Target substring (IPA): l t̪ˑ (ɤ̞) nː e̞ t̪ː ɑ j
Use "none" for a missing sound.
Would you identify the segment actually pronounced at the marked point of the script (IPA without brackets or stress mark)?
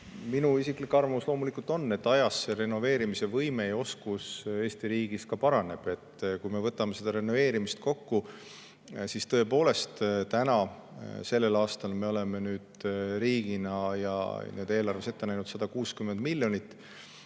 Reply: o̞